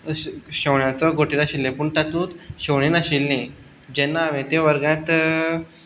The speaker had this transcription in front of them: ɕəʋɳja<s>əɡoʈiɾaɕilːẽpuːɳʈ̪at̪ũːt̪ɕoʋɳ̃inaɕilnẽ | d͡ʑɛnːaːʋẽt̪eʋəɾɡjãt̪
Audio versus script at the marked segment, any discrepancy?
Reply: yes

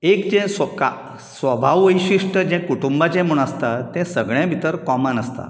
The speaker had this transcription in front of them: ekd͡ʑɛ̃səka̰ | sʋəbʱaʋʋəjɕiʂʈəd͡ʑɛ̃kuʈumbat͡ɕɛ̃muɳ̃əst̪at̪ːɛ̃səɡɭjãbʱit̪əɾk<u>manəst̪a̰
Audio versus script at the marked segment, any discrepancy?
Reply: yes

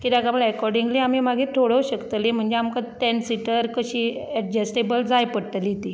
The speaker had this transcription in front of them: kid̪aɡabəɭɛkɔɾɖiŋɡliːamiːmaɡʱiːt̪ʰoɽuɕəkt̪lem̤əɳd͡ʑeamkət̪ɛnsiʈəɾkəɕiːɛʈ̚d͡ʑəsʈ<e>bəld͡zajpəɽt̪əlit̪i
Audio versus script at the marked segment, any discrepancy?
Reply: no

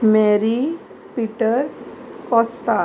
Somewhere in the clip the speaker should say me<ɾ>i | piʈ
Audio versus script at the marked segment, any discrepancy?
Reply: no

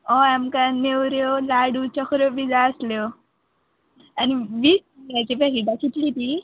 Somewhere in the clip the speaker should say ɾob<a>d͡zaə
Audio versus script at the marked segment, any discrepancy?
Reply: yes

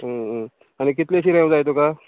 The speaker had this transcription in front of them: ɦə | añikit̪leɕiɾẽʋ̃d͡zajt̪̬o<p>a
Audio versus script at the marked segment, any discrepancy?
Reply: yes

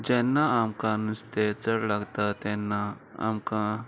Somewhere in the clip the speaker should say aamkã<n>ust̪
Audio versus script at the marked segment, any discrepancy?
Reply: no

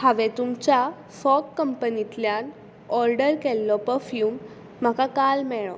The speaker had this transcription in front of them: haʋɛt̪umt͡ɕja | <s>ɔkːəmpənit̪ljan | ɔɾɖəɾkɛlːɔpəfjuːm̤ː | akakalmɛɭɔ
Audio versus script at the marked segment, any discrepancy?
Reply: yes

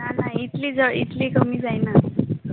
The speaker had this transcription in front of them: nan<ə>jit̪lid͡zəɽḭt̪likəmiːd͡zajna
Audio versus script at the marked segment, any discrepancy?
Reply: yes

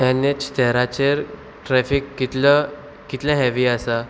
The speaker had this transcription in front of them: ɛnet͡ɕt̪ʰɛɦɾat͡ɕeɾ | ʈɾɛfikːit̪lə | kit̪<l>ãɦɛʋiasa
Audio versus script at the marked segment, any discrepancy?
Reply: no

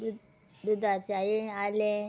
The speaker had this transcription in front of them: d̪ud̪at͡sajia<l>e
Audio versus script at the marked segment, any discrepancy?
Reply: no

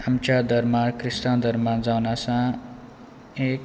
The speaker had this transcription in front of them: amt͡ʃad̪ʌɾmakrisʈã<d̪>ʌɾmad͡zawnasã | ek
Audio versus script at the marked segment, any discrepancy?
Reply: no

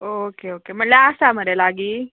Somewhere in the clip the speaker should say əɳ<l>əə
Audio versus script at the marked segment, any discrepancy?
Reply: no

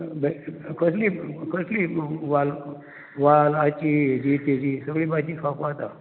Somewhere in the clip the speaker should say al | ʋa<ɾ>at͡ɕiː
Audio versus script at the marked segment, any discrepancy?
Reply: yes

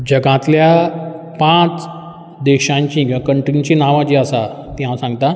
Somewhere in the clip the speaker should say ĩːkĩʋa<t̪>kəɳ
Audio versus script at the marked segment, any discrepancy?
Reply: yes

